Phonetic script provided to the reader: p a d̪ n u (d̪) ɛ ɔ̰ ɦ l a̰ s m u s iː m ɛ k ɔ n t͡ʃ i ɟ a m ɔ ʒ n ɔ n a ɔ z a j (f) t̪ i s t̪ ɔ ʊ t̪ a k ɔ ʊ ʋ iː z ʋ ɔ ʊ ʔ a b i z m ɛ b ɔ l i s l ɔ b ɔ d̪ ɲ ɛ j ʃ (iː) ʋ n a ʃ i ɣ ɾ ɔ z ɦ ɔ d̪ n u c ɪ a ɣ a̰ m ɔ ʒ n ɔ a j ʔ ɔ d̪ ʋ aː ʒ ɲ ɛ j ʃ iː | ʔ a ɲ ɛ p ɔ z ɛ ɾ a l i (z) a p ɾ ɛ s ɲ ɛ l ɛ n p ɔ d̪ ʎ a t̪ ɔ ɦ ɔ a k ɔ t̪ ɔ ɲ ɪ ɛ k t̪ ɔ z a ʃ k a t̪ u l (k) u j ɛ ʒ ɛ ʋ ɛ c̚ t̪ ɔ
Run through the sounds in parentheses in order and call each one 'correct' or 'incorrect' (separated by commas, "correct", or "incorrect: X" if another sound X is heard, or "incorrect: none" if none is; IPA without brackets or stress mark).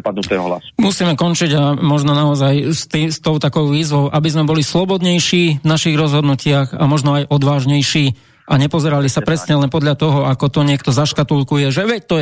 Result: incorrect: t̪, incorrect: s, correct, incorrect: s, correct